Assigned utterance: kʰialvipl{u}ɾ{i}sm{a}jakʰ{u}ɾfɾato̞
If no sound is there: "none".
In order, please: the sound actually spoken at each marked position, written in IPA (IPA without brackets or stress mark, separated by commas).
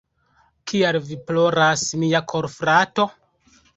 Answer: o, a, i, o